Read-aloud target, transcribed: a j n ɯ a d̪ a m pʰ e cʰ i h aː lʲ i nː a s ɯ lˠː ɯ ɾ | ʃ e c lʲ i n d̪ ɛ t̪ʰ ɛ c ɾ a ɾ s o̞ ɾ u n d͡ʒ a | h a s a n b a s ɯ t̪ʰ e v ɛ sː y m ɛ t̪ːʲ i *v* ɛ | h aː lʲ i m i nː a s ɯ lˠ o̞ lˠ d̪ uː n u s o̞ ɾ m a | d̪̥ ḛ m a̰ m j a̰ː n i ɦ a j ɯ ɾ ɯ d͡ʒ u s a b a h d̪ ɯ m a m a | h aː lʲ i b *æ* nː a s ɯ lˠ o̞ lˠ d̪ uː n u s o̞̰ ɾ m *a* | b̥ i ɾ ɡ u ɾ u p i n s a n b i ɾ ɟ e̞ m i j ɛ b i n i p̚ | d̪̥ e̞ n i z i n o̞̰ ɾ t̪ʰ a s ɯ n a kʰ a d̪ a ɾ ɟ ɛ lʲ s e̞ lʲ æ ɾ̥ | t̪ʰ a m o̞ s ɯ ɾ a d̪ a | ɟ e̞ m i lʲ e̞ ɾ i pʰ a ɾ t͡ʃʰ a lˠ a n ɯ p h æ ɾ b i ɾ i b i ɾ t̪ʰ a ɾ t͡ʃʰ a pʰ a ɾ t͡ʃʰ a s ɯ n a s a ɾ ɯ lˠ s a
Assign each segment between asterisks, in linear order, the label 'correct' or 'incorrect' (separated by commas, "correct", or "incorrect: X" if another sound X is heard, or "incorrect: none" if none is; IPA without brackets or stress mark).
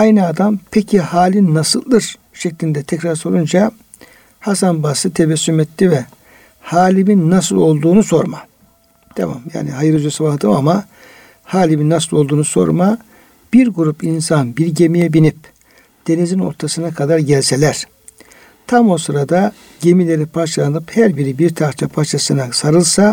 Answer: correct, incorrect: i, correct